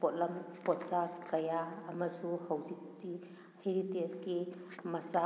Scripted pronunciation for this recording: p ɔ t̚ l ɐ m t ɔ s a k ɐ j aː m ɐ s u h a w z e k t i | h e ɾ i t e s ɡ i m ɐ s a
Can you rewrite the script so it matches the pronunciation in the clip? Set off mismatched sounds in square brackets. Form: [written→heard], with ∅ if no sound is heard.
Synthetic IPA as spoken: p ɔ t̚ l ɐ m [t→p] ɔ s a k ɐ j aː m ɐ s u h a w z [e→i] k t i | h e ɾ i t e s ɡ i m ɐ s a